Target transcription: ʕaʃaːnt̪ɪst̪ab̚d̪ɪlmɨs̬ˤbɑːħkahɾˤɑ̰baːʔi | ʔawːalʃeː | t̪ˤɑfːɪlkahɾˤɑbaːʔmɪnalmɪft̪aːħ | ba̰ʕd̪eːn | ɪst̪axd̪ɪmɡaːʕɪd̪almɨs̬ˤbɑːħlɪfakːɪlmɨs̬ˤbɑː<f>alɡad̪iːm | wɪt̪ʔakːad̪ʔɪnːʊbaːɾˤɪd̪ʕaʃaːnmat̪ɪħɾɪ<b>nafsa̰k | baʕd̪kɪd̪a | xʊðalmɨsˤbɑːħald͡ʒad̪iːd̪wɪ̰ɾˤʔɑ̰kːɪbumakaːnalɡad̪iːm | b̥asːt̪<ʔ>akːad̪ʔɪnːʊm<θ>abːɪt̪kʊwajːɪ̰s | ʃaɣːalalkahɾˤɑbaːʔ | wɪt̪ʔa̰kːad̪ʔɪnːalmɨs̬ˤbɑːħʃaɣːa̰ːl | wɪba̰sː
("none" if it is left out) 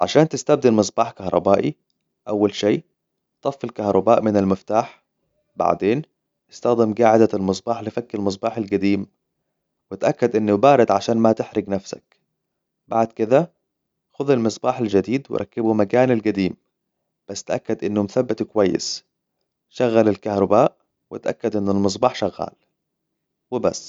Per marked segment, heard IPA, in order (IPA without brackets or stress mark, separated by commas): ħ, ɡ, ʔ, θ